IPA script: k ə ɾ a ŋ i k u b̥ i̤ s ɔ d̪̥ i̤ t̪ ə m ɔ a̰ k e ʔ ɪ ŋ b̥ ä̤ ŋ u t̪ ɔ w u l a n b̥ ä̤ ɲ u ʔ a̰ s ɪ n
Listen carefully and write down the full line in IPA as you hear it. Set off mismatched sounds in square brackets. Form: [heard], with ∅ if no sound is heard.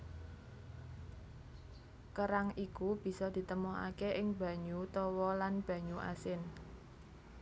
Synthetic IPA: k ə ɾ a ŋ i k u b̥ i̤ s ɔ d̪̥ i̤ t̪ ə m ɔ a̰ k e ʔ ɪ ŋ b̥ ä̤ [ɲ] u t̪ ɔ w [ɔ] l a n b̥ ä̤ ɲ u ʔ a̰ s ɪ n